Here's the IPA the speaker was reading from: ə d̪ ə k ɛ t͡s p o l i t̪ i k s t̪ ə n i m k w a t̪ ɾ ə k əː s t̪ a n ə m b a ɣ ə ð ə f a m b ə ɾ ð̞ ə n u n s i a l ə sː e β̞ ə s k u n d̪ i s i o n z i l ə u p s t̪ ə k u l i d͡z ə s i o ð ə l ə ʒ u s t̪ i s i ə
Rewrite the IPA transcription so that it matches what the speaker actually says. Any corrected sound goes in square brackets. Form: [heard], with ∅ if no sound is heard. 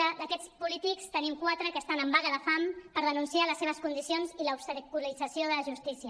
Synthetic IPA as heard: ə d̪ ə k ɛ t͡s p [u] l i t̪ i k s t̪ ə n i m k w a t̪ ɾ ə k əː s t̪ a n ə m b a ɣ ə ð ə f a m [p] ə ɾ ð̞ ə n u n s i a l ə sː e β̞ ə s k u n d̪ i s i o n z i l ə u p s t̪ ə k u l i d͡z ə s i o ð ə l ə ʒ u s t̪ i s i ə